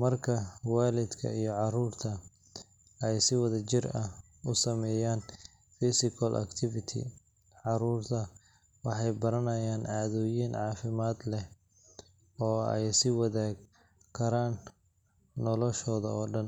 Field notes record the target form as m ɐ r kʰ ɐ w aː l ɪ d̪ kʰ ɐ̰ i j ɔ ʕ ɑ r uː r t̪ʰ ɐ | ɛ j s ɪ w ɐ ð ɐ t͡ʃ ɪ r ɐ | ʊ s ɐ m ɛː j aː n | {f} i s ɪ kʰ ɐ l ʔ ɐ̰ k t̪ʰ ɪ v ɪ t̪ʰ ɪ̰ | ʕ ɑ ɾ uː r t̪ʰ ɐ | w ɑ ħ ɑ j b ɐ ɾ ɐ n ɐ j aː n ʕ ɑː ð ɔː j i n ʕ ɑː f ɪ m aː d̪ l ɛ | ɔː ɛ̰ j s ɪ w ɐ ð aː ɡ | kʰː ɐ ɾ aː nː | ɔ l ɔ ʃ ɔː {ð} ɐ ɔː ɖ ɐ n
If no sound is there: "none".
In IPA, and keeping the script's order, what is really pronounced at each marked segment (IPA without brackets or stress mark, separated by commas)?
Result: f, ð